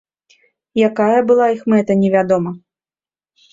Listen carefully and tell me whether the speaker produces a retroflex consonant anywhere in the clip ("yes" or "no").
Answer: no